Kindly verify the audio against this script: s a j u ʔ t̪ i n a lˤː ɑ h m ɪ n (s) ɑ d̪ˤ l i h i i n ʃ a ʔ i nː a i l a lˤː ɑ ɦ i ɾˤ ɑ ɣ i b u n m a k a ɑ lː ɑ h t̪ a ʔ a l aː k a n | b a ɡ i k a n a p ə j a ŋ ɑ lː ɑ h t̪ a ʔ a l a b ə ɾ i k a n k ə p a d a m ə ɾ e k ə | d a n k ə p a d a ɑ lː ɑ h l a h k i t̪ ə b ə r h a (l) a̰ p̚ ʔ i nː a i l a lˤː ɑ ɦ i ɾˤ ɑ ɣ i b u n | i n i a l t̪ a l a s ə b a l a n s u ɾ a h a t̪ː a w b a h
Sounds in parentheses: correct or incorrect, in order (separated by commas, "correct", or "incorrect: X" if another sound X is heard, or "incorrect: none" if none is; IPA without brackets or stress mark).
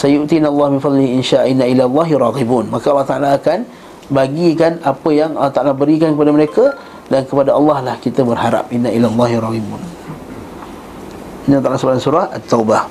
incorrect: f, incorrect: ɾ